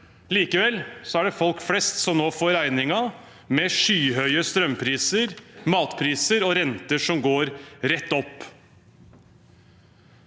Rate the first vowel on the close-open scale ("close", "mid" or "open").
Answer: close